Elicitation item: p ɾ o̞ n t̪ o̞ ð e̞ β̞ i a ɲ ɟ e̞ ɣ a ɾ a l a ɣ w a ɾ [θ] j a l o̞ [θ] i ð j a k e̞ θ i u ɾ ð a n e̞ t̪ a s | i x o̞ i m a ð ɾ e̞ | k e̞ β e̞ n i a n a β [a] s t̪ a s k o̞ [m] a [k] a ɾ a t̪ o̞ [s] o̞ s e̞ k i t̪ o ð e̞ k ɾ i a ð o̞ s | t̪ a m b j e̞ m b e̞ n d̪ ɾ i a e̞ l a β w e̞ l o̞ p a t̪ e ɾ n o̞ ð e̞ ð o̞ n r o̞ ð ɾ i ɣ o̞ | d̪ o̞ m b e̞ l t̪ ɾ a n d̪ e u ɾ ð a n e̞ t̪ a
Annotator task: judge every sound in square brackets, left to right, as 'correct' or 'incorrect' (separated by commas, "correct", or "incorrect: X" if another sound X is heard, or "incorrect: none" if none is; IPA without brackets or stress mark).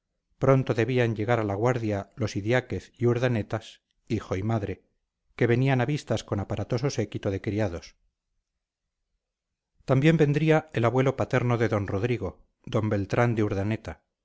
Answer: incorrect: ð, incorrect: s, incorrect: i, incorrect: n, incorrect: p, correct